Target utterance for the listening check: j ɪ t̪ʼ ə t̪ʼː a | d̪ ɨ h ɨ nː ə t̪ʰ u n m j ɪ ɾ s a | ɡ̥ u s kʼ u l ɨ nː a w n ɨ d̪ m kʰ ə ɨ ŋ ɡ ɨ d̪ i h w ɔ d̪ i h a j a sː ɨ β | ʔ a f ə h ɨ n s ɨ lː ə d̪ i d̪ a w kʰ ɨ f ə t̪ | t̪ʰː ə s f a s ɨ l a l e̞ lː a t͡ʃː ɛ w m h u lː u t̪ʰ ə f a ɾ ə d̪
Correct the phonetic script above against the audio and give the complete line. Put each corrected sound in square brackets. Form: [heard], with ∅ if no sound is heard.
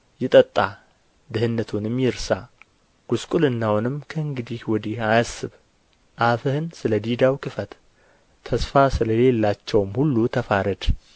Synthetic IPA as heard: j ɪ t̪ʼ ə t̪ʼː a | d̪ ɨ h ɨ nː ə t̪ʰ u n m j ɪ ɾ s a | ɡ̥ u s kʼ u l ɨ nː a w n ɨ [∅] m kʰ ə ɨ ŋ ɡ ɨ d̪ i h w ɔ d̪ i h a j a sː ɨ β | ʔ a f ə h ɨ n s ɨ [l] ə d̪ i d̪ a w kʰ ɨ f ə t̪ | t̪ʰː ə s f a s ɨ l [ə] l e̞ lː a t͡ʃː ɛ w m h u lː u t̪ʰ ə f a ɾ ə d̪

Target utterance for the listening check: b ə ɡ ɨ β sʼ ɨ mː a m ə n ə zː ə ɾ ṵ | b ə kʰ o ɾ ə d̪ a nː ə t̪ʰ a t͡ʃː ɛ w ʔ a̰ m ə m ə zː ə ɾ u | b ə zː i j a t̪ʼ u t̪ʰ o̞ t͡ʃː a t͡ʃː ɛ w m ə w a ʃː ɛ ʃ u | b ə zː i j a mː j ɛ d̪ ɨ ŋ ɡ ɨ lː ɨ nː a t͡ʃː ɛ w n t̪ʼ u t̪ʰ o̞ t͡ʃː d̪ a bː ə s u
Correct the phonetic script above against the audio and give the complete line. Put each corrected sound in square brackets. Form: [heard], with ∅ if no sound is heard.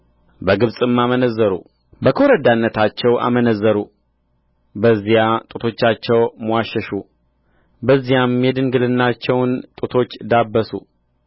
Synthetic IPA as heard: b ə ɡ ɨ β sʼ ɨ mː a m ə n ə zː ə ɾ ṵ | b ə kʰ o ɾ ə d̪ a nː ə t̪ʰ a t͡ʃː ɛ w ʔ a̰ m ə [n] ə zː ə ɾ u | b ə zː i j a t̪ʼ u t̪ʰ o̞ t͡ʃː a t͡ʃː ɛ w m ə w a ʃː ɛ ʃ u | b ə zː i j a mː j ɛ d̪ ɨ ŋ ɡ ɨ [l] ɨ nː a t͡ʃː ɛ w n t̪ʼ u t̪ʰ o̞ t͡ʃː d̪ a bː ə s u

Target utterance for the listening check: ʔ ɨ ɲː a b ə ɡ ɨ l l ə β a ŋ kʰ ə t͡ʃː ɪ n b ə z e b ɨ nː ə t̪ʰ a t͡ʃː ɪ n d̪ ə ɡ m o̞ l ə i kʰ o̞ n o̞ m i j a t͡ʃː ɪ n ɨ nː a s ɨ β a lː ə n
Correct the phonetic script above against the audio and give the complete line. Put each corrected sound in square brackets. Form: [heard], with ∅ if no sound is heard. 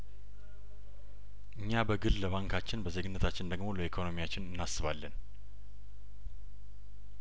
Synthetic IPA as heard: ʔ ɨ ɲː a b ə ɡ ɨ l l ə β a ŋ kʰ [a] t͡ʃː ɪ n b ə z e [ɡ] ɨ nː ə t̪ʰ a t͡ʃː ɪ n d̪ ə ɡ m o̞ l ə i kʰ o̞ n o̞ m i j a t͡ʃː ɪ n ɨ nː a s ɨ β a lː ə n

